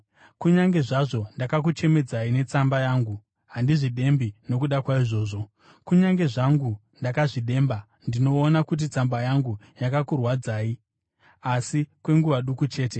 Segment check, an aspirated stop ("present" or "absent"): absent